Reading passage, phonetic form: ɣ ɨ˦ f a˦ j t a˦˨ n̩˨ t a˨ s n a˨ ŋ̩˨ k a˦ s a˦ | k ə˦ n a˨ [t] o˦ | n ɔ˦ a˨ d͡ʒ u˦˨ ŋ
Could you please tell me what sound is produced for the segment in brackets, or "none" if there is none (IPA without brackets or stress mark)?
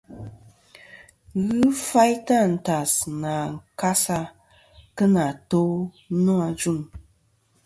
t